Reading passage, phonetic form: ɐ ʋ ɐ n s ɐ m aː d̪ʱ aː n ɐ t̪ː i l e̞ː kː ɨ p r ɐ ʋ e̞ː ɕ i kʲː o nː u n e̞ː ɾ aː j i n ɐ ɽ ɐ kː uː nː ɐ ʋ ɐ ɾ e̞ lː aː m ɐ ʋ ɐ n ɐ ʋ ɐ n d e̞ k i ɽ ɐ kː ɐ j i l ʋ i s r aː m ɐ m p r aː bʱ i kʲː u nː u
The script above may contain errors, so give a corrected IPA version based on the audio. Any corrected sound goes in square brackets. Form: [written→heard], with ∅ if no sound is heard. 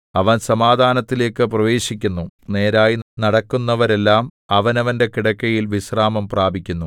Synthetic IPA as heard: ɐ ʋ ɐ n s ɐ m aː d̪ʱ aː n ɐ t̪ː i l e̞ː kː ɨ p r ɐ ʋ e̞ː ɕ i kʲː [o→u] nː u n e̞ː ɾ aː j i n ɐ ɽ ɐ kː [uː→u] nː ɐ ʋ ɐ ɾ e̞ lː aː m ɐ ʋ ɐ n ɐ ʋ ɐ n d e̞ k i ɽ ɐ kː ɐ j i l ʋ i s r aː m ɐ m p r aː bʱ i kʲː u nː u